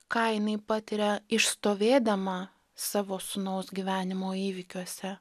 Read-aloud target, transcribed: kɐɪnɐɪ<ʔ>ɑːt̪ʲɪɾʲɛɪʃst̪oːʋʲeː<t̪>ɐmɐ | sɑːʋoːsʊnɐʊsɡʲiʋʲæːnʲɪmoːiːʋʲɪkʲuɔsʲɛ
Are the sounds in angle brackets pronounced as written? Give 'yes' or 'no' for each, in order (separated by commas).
no, no